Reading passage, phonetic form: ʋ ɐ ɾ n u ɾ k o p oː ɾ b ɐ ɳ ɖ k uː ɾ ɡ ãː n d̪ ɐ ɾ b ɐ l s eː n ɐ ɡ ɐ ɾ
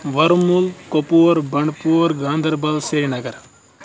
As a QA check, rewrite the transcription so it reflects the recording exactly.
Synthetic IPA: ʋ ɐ ɾ m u l k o p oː ɾ b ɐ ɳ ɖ p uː ɾ ɡ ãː n d̪ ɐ ɾ b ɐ l s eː n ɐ ɡ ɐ ɾ